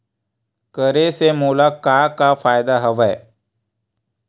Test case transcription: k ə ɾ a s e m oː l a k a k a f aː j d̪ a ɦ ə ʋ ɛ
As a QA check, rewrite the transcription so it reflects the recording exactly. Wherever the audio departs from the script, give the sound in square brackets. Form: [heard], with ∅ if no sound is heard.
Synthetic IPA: k ə ɾ [e] s e m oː l a k a k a f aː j d̪ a ɦ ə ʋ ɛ